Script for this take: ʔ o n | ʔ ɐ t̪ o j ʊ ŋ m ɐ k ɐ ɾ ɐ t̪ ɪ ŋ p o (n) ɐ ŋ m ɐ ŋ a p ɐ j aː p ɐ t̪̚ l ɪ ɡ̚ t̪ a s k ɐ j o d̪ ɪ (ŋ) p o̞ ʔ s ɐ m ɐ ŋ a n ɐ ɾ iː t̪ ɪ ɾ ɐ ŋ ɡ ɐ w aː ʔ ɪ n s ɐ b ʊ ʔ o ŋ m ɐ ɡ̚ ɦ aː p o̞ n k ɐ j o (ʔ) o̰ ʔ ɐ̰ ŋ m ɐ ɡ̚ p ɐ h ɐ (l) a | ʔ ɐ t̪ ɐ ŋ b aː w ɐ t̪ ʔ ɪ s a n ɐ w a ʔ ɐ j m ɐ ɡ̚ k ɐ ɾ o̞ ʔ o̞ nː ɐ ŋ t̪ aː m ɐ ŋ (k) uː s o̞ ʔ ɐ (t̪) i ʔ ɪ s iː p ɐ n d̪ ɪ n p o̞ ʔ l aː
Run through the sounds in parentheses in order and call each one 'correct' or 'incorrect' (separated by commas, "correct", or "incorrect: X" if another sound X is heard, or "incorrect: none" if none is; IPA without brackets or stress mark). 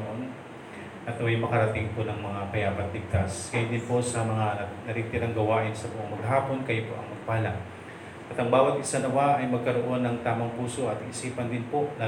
correct, incorrect: n, incorrect: p, correct, incorrect: p, correct